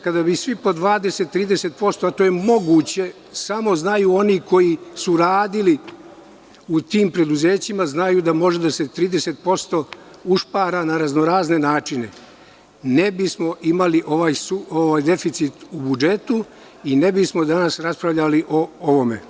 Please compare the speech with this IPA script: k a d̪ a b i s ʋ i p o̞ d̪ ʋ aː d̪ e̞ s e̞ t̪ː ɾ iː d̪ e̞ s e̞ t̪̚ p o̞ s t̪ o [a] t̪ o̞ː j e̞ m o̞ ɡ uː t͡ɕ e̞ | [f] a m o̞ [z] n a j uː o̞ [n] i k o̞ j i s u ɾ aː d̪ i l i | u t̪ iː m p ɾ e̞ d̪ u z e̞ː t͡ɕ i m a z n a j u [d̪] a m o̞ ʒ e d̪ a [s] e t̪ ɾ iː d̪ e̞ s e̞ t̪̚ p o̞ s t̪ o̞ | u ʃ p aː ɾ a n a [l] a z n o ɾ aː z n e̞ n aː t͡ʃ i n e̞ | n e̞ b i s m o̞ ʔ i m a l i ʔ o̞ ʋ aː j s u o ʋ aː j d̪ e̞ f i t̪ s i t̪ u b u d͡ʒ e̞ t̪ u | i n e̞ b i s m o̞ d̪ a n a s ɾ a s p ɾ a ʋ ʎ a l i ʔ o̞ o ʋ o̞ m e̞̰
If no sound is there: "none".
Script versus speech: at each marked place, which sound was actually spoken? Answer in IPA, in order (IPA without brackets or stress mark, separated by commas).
a, s, z, n, d̪, s, ɾ